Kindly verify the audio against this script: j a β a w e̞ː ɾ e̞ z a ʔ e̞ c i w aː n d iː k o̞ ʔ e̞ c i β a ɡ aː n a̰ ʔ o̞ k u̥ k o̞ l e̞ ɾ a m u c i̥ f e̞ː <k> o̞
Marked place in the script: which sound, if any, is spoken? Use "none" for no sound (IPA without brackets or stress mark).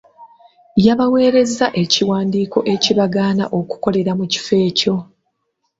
c